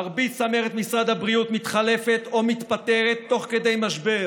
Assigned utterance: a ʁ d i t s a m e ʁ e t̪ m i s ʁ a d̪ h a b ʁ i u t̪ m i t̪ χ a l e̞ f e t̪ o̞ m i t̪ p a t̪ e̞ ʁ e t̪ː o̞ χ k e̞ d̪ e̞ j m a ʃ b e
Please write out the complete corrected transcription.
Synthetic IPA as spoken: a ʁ b i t s a m e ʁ e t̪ m i s ʁ a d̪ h a b ʁ i u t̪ m i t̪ χ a l e̞ f e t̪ o̞ m i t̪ p a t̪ e̞ ʁ e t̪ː o̞ χ k e̞ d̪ e̞ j m a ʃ b e